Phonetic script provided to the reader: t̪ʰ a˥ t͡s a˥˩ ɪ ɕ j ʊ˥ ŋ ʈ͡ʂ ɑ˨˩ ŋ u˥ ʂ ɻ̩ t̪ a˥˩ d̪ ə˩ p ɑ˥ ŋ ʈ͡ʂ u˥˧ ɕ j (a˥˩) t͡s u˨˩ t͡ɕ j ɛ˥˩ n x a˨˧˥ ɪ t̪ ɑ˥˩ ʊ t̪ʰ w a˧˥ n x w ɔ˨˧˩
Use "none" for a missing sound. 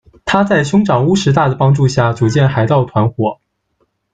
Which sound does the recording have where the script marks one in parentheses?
a˥˩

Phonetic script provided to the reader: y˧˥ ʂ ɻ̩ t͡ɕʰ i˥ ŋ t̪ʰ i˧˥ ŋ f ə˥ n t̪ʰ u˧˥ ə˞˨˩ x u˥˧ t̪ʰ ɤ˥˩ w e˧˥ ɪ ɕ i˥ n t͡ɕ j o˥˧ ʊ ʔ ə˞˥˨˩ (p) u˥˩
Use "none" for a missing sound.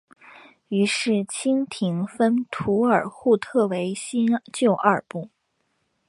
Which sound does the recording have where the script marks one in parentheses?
p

